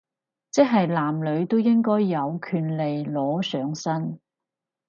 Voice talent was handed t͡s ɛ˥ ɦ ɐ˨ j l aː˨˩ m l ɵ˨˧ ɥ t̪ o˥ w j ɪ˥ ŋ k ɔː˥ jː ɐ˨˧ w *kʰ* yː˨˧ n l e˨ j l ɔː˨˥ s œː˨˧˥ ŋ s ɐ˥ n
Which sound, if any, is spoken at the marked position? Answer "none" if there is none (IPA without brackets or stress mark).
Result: kʰ